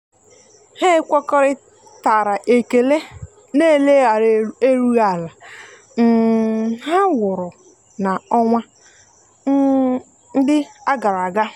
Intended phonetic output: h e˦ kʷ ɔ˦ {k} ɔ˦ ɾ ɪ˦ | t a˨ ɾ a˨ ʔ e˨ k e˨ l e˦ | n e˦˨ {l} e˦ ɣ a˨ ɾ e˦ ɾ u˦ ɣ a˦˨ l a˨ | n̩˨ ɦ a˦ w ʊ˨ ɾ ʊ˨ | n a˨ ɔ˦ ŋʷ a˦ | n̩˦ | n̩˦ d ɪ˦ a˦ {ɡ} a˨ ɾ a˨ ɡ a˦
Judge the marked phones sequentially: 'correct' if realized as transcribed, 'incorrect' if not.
correct, correct, correct

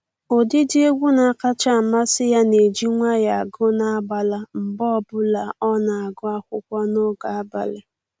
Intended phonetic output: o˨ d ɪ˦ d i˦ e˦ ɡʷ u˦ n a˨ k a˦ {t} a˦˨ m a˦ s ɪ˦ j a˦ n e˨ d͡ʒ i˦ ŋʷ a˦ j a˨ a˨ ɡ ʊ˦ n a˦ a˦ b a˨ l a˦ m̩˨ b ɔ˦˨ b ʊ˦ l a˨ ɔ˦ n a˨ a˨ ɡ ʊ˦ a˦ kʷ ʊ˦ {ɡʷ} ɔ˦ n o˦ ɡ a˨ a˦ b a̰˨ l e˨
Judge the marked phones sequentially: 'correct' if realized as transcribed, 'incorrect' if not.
incorrect, incorrect

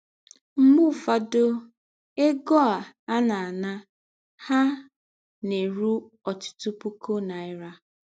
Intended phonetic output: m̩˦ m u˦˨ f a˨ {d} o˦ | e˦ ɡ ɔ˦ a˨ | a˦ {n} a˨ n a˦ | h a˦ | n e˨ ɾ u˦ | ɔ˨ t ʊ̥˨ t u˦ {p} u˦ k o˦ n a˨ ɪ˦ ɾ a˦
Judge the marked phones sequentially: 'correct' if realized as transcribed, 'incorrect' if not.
correct, correct, correct

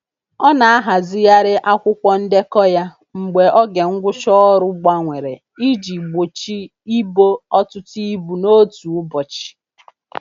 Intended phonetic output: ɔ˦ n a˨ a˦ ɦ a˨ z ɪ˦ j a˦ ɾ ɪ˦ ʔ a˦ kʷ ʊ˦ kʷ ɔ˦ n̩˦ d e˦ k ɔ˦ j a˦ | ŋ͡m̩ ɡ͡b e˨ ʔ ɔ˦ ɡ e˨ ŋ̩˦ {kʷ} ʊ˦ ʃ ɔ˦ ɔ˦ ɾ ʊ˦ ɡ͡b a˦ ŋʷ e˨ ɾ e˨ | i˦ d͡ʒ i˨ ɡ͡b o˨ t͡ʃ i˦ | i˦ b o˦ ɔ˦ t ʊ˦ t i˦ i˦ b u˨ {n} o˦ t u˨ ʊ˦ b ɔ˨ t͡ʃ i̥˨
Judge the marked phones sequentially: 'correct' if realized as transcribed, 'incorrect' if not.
incorrect, correct

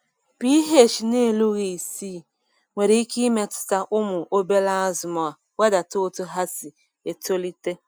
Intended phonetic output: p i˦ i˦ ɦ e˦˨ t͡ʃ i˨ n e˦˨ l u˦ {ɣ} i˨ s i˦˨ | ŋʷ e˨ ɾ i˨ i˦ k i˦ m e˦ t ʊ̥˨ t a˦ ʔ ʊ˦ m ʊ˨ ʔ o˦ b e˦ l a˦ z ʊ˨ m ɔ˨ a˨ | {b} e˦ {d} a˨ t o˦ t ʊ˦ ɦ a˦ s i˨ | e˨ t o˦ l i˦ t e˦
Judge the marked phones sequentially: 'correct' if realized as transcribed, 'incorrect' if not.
correct, incorrect, correct

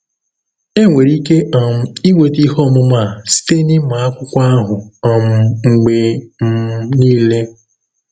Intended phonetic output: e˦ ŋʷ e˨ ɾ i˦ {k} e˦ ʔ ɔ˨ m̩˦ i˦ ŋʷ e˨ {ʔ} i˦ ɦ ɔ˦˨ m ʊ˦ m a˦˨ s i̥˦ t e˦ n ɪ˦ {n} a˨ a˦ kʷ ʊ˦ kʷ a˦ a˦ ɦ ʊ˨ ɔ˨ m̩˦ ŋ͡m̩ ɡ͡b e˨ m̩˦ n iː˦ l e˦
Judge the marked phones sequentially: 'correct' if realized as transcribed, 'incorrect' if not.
correct, incorrect, incorrect

